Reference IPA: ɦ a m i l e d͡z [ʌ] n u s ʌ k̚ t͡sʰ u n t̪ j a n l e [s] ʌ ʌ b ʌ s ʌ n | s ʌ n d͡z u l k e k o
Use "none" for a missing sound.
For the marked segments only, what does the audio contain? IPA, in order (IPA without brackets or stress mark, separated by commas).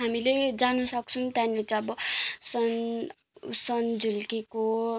a, t͡s